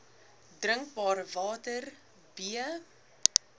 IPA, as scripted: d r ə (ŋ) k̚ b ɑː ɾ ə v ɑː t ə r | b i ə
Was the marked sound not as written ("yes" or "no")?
no